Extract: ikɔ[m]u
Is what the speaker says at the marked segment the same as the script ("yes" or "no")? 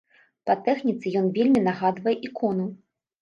no